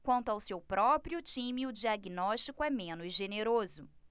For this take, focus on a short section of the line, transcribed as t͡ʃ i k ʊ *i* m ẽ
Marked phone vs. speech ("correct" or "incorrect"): incorrect